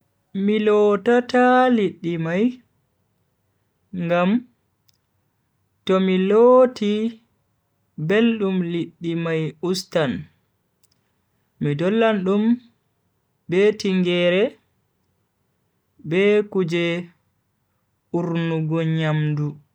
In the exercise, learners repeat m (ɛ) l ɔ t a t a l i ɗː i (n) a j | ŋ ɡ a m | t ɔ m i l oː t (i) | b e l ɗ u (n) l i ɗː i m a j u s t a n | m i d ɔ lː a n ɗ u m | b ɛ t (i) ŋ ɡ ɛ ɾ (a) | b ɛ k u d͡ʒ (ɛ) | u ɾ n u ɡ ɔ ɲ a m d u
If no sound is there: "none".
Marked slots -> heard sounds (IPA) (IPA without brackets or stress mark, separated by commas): i, m, i, m, i, ɛ, ɛ